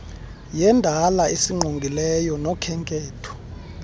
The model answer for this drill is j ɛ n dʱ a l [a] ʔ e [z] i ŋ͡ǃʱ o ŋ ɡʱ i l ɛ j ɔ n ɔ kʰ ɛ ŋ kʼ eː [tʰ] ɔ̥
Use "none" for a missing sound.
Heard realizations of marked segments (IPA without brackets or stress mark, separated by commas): a, s, tʰ